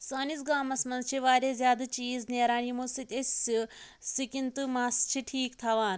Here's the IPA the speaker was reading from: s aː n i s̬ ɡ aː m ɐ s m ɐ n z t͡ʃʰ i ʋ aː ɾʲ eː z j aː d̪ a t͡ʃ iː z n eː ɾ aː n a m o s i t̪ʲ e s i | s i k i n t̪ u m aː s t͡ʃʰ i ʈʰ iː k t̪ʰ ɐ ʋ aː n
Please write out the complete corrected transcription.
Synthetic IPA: s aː n i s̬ ɡ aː m ɐ s m ɐ n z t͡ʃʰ i ʋ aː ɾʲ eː z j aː d̪ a t͡ʃ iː z n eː ɾ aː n i m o s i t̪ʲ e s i | s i k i n t̪ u m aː s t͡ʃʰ i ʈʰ iː k t̪ʰ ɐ ʋ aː n

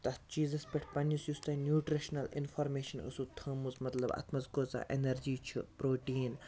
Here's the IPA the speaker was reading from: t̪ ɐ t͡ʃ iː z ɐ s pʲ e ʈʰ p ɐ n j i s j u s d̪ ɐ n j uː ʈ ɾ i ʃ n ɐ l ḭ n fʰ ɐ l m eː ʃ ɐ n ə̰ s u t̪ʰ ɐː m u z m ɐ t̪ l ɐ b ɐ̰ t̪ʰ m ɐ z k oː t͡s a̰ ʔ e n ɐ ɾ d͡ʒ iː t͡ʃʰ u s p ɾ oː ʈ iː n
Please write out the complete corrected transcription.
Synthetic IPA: t̪ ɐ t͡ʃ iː z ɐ s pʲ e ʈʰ p ɐ n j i s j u s t̪ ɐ n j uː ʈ ɾ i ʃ n ɐ l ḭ n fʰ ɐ ɾ m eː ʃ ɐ n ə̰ s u t̪ʰ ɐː m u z m ɐ t̪ l ɐ b ɐ̰ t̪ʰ m ɐ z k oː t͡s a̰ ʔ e n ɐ ɾ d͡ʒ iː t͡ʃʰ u p ɾ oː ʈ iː n

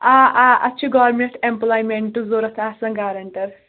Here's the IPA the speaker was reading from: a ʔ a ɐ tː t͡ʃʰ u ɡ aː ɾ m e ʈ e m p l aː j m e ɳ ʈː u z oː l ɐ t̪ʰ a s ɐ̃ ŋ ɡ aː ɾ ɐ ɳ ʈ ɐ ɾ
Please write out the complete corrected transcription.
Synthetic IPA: a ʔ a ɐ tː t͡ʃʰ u ɡ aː ɾ m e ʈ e m p l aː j m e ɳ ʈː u z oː ɾ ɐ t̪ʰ a s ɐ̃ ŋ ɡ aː ɾ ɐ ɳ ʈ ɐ ɾ

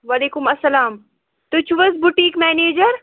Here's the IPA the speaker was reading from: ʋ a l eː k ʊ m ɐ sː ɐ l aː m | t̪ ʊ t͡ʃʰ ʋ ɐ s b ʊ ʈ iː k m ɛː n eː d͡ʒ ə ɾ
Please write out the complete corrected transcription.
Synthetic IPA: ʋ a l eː k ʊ m ɐ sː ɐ l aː m | t̪ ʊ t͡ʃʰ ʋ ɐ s b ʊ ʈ iː k m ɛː n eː d͡ʒ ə ɾ

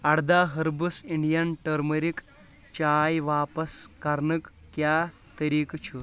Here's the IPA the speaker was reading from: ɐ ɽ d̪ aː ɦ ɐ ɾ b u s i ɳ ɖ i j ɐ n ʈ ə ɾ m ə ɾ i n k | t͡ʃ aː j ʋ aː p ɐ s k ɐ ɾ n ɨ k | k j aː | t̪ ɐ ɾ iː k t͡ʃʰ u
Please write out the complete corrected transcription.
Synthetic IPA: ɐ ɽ d̪ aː ɦ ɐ ɾ b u s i ɳ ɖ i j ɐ n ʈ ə ɾ m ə ɾ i k | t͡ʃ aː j ʋ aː p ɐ s k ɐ ɾ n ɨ k | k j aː | t̪ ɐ ɾ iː k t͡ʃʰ u

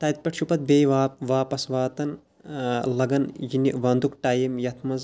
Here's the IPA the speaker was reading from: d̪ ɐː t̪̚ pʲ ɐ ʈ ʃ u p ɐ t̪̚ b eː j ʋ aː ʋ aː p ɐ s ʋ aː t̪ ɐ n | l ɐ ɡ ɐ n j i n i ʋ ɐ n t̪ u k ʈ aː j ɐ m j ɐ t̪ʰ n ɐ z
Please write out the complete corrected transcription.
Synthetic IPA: t̪ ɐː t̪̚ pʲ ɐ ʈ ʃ u p ɐ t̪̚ b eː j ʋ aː ʋ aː p ɐ s ʋ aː t̪ ɐ n | l ɐ ɡ ɐ n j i n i ʋ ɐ n d̪ u k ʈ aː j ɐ m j ɐ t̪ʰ m ɐ z

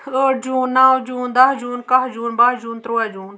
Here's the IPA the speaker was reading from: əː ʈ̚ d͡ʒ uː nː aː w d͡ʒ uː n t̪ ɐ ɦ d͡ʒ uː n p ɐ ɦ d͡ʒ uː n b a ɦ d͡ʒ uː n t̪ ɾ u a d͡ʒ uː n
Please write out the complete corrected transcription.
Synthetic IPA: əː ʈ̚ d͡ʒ uː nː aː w d͡ʒ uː n d̪ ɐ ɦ d͡ʒ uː n k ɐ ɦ d͡ʒ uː n b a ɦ d͡ʒ uː n t̪ ɾ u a d͡ʒ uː n

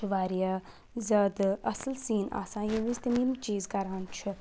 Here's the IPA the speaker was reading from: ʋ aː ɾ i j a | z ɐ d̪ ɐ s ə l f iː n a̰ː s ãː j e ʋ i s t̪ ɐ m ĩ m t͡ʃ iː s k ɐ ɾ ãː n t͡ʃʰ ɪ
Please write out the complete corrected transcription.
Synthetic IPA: ʋ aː ɾ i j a | z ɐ d̪ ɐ s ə l s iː n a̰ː s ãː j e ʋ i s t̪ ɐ m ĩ m t͡ʃ iː z k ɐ ɾ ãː n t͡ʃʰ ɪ

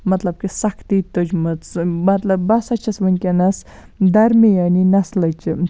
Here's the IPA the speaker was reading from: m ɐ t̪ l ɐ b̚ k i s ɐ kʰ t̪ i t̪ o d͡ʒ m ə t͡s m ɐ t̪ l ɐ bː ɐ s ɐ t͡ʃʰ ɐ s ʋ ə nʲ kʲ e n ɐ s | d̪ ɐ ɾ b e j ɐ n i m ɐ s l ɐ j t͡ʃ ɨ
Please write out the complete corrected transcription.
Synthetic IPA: m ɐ t̪ l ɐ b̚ k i s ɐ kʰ t̪ i t̪ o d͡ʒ m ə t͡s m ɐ t̪ l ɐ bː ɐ s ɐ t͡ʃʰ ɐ s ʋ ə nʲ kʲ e n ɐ s | d̪ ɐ ɾ m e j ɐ n i n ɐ s l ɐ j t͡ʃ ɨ

